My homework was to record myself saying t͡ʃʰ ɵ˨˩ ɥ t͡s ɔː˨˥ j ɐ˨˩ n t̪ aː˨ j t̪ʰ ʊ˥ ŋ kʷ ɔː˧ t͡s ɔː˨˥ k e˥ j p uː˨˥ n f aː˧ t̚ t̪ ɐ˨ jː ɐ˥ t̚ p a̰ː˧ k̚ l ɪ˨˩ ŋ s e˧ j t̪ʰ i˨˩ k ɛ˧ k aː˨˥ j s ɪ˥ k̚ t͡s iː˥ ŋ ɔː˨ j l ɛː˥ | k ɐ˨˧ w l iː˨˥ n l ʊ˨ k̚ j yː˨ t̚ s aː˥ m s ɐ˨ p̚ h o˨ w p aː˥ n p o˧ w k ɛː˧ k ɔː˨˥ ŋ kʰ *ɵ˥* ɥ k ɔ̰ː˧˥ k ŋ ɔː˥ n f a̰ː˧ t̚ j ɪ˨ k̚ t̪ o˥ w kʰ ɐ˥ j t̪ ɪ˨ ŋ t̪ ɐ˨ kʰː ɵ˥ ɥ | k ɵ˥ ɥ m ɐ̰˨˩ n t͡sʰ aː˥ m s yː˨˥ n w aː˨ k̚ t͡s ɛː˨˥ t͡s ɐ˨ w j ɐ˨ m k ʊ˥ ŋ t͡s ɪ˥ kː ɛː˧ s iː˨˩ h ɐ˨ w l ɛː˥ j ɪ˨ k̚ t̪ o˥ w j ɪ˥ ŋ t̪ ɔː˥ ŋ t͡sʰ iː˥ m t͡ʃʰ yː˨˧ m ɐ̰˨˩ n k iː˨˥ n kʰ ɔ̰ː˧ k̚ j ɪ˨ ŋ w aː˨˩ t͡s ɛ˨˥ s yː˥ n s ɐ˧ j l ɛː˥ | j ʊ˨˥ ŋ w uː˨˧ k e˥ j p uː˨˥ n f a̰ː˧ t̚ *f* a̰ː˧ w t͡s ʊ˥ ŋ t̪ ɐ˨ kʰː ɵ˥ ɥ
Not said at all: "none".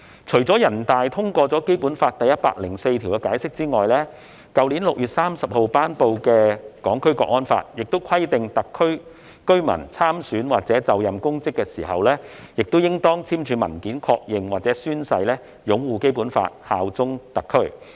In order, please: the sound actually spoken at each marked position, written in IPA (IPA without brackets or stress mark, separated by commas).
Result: ɵ˥, h